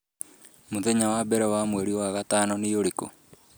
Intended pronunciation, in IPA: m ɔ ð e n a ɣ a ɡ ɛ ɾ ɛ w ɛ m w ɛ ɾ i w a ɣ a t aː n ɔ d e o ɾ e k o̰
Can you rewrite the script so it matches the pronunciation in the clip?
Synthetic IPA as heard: m o ð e ɲ a w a b ɛ ɾ ɛ w a m w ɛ ɾ i w a ɣ a t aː n ɔ n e o ɾ e k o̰